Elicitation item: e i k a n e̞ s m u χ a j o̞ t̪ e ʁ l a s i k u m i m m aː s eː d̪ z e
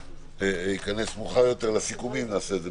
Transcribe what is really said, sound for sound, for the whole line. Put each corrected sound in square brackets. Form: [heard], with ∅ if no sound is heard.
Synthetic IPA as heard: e i k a n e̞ s m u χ a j o̞ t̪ e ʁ l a s i k u m i m [n] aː s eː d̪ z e